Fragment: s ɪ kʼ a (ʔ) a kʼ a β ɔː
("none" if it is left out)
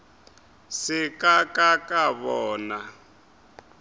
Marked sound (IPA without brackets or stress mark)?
k